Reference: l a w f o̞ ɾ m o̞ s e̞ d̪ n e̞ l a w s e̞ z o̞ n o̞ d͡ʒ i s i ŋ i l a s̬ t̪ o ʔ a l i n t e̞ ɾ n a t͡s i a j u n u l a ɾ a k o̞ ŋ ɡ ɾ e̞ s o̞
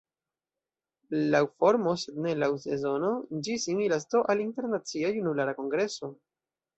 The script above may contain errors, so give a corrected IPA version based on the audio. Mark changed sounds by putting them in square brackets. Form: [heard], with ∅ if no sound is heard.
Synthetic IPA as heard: l a w f o̞ ɾ m o̞ s e̞ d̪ n e̞ l a w s e̞ z o̞ n o̞ d͡ʒ i s i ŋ i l a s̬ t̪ o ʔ a l i n t e̞ ɾ n a t͡s i a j u n u l a ɾ a k o̞ ŋ ɡ ɾ e̞ s o̞